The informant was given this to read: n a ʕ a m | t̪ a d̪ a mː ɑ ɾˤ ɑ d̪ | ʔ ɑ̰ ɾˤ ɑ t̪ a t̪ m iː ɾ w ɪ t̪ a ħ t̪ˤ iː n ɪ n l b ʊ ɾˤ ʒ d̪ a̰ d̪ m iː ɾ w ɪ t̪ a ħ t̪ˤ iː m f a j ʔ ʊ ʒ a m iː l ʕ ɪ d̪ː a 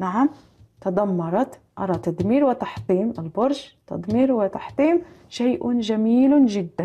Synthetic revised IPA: n a ʕ a m | t̪ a d̪ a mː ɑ ɾˤ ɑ t̪ | ʔ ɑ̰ ɾˤ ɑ t̪ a d̪ m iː ɾ w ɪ t̪ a ħ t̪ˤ iː m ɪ l b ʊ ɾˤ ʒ t̪ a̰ d̪ m iː ɾ w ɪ t̪ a ħ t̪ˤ iː m ʃ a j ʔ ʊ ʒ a m iː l ʒ ɪ d̪ː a